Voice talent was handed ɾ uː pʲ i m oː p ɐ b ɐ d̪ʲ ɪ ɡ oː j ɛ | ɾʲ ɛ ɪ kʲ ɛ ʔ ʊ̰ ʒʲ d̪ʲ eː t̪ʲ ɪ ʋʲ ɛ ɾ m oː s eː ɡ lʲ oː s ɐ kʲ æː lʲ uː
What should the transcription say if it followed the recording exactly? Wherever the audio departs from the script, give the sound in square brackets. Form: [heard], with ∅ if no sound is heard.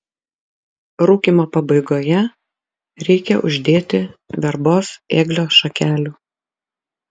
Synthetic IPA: ɾ uː [kʲ] i m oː p ɐ b ɐ [∅] ɪ ɡ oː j ɛ | ɾʲ ɛ ɪ kʲ ɛ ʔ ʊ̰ ʒʲ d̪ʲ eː t̪ʲ ɪ ʋʲ ɛ ɾ [b] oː s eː ɡ lʲ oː [ʃ] ɐ kʲ æː lʲ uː